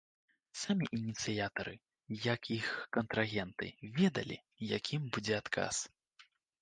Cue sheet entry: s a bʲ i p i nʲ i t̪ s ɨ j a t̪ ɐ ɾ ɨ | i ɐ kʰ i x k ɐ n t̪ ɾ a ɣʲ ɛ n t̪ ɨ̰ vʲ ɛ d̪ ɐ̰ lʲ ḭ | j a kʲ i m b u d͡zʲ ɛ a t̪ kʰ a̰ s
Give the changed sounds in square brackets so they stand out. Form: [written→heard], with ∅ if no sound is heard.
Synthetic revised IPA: s a [bʲ→mʲ] i [p→ʔ] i nʲ i t̪ s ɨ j a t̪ ɐ ɾ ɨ | [i→j] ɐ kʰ i x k ɐ n t̪ ɾ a ɣʲ ɛ n t̪ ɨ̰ vʲ ɛ d̪ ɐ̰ lʲ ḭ | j a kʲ i m b u d͡zʲ ɛ a t̪ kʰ a̰ s

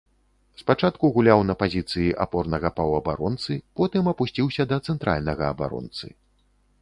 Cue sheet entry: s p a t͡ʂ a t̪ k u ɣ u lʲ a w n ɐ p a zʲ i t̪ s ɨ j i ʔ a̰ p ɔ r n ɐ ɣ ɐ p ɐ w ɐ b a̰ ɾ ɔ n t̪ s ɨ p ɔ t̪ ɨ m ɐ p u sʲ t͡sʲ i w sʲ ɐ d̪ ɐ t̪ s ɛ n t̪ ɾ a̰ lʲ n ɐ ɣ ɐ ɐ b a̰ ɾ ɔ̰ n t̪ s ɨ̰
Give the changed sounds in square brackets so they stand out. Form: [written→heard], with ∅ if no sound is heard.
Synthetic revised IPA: s p a t͡ʂ a t̪ k u ɣ u lʲ a w n ɐ p a zʲ i t̪ s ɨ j i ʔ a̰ p ɔ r n ɐ ɣ ɐ p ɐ w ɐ b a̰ ɾ ɔ n t̪ s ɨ p ɔ t̪ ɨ m ɐ p u sʲ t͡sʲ i w sʲ ɐ d̪ ɐ t̪ s ɛ n t̪ ɾ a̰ lʲ n ɐ ɣ ɐ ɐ b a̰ ɾ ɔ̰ n t̪ s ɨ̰

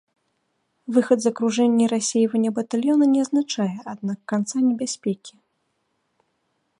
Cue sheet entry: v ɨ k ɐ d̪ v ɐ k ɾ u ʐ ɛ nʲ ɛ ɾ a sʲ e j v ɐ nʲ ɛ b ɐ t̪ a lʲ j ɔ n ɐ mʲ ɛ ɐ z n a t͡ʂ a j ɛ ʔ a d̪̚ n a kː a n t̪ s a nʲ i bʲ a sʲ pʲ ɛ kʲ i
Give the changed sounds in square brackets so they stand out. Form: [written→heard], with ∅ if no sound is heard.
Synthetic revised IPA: v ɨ [k→x] ɐ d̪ [v→z] ɐ k ɾ u ʐ ɛ [nʲ→nʲː] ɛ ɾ a sʲ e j v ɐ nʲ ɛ b ɐ t̪ a lʲ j ɔ n ɐ [mʲ→nʲ] ɛ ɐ z n a t͡ʂ a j ɛ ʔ a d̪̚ n a kː a n t̪ s a nʲ [i→ɛ] bʲ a sʲ pʲ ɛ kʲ i

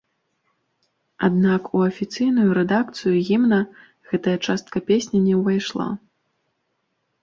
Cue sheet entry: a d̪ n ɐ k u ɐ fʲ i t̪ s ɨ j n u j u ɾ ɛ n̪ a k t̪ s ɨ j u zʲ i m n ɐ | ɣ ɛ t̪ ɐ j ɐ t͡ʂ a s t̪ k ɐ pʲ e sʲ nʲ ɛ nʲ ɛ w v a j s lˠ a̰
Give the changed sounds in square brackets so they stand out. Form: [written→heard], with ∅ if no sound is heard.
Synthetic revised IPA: a d̪ n [ɐ→a] k u ɐ fʲ i t̪ s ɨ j n u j u ɾ ɛ [n̪→d̪] a k t̪ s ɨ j u [zʲ→ɣʲ] i m n ɐ | ɣ ɛ t̪ ɐ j ɐ t͡ʂ a s t̪ k ɐ pʲ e sʲ nʲ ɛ nʲ ɛ w v a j [s→ʂ] lˠ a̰

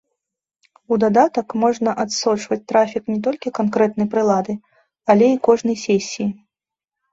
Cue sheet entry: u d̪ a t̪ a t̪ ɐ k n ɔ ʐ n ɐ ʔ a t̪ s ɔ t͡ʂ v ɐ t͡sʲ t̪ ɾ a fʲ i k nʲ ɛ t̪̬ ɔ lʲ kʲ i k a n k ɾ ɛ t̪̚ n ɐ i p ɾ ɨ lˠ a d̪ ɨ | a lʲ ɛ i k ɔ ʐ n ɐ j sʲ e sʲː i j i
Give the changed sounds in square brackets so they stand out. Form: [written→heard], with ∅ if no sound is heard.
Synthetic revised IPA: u d̪ a [t̪→d̪] a t̪ ɐ k [n→m] ɔ ʐ n ɐ ʔ a t̪ s ɔ t͡ʂ v ɐ t͡sʲ t̪ ɾ a fʲ i k nʲ ɛ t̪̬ ɔ lʲ kʲ i k a n k ɾ ɛ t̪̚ n ɐ [i→j] p ɾ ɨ lˠ a d̪ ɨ | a lʲ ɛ i k ɔ ʐ n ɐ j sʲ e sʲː i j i

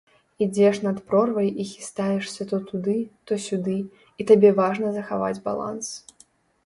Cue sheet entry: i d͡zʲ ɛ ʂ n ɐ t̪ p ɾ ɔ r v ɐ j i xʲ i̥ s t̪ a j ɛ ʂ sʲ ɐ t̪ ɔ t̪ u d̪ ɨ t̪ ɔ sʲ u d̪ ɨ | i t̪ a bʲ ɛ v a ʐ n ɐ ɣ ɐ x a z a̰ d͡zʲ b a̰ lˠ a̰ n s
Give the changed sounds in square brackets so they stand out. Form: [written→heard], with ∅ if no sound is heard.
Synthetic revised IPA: i d͡zʲ ɛ ʂ n ɐ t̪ p ɾ ɔ r v ɐ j i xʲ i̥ s t̪ a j ɛ ʂ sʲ ɐ t̪ ɔ t̪ u d̪ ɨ t̪ ɔ sʲ u d̪ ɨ | i t̪ a bʲ ɛ v a ʐ n ɐ [ɣ→z] ɐ x a [z→v] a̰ d͡zʲ b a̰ lˠ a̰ n s

